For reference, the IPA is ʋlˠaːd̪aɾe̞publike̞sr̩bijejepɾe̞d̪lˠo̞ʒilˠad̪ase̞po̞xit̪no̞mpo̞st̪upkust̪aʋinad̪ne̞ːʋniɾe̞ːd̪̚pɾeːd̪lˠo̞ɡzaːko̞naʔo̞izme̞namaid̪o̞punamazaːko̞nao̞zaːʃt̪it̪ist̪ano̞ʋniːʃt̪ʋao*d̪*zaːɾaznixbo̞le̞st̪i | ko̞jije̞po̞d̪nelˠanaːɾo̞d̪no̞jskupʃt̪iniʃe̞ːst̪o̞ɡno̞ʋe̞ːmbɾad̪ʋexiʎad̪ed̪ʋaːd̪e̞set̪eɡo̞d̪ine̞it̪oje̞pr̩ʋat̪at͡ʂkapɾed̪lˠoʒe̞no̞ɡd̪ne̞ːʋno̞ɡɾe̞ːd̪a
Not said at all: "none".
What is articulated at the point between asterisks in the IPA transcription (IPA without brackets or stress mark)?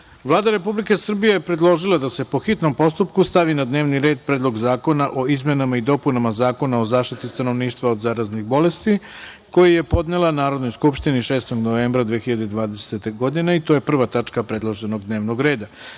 d̪